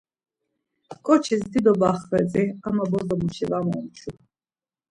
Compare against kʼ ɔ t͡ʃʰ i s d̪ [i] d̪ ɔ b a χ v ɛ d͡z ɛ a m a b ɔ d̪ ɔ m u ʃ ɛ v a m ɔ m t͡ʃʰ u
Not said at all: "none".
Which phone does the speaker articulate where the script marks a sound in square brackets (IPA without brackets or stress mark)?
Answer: i